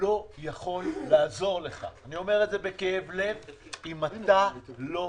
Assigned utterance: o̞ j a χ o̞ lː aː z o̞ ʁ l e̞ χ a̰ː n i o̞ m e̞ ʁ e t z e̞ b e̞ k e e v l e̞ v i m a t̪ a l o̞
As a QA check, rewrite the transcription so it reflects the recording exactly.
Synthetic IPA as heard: o̞ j a χ o̞ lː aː z o̞ ʁ l e̞ χ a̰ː n i o̞ m e̞ ʁ e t z e̞ b e̞ k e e v l e̞ v i m a t̪ a l o̞